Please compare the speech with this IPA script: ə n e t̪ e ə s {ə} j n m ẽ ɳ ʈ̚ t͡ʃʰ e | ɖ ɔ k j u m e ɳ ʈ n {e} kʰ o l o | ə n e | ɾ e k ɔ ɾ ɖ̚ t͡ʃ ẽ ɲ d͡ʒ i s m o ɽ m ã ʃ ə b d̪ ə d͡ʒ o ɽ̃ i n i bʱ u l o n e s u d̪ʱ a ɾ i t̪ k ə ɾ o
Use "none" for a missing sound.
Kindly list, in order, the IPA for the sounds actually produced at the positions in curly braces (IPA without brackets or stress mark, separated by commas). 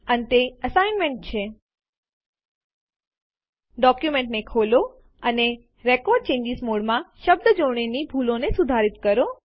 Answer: a, e